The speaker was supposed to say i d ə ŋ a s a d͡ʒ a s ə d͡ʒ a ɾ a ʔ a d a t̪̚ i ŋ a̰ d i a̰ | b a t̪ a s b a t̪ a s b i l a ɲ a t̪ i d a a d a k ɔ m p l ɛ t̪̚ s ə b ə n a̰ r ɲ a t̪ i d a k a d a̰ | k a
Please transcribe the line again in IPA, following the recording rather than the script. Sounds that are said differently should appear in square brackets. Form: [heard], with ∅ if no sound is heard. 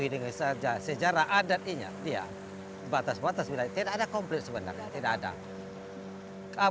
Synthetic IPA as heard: i d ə ŋ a s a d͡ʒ a s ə d͡ʒ a ɾ a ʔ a d a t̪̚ i [ɲ] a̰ d i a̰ | b a t̪ a s b a t̪ a s b i l a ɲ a t̪ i d a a d a k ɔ m p l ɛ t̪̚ s ə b ə n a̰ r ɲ a t̪ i d a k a d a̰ | k a